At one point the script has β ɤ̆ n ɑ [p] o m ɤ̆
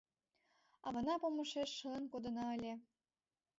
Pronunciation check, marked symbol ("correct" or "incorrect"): correct